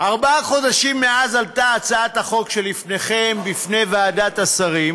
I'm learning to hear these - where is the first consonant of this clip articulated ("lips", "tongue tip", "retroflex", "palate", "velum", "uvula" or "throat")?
uvula